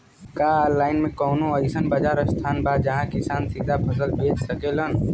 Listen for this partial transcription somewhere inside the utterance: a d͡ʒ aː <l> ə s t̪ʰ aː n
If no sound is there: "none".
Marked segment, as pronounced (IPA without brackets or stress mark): ɾ